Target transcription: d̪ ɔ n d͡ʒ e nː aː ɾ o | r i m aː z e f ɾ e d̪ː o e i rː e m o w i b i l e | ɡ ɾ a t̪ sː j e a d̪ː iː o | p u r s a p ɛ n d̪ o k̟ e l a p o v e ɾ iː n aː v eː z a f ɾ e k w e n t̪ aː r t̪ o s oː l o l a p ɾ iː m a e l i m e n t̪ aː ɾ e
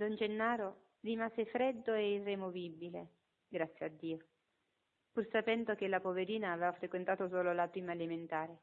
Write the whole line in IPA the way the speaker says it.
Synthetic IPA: d̪ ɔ n d͡ʒ e nː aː ɾ o | r i m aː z e f ɾ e d̪ː o e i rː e m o v i b i l e | ɡ ɾ a t̪ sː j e a d̪ː iː o | p u r s a p ɛ n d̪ o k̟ e l a p o v e ɾ iː n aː v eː v a f ɾ e k w e n t̪ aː t̪ o s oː l o l a p ɾ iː m a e l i m e n t̪ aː ɾ e